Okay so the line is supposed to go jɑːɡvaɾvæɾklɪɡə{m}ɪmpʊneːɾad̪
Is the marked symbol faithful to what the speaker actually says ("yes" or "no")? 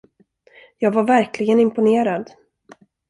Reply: no